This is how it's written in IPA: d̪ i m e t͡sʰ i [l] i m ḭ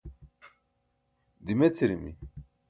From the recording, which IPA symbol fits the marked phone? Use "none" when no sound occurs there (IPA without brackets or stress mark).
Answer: ɾ